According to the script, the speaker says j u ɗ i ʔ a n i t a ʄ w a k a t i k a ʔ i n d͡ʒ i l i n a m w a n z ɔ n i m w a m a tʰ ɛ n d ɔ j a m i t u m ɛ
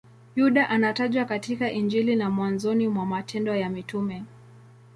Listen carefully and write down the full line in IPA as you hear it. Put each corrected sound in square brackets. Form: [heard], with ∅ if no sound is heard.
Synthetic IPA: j u ɗ [a] ʔ a n [a] t a ʄ w a k a t i k a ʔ i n d͡ʒ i l i n a m w a n z ɔ n i m w a m a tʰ ɛ n d ɔ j a m i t u m ɛ